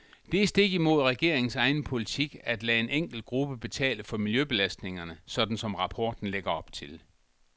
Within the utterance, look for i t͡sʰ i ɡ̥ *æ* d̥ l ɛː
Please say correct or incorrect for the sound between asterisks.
correct